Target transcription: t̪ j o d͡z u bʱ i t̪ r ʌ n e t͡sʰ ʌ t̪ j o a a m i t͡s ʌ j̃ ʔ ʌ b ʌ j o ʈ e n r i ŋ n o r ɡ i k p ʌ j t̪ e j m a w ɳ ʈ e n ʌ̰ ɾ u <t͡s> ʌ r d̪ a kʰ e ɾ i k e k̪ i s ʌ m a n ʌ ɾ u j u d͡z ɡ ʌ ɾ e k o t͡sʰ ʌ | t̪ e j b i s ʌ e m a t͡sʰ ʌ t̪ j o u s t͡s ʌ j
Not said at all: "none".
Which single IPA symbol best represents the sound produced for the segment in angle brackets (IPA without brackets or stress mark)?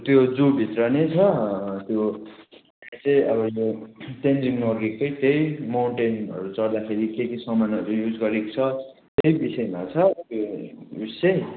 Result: t͡s